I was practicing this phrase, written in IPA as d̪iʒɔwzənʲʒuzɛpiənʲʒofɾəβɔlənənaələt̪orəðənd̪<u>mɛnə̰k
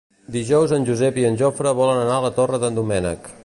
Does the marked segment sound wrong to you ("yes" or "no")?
no